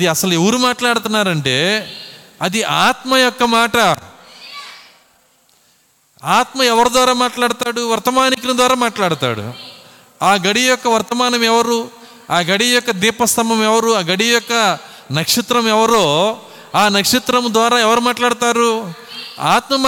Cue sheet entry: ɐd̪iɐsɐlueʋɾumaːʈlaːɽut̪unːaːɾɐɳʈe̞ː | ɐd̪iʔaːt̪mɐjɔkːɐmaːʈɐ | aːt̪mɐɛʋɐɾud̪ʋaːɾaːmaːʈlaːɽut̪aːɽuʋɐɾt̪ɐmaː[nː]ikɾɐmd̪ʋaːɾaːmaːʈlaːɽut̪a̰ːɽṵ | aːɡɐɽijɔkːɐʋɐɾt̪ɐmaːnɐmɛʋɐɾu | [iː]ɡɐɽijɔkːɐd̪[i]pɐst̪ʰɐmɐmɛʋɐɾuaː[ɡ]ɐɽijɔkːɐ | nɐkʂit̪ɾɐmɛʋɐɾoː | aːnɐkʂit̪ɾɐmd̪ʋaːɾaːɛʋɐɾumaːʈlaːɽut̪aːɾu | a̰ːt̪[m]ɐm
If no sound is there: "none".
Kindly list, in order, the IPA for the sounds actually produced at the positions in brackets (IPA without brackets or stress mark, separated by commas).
n, aː, iː, ɡ, m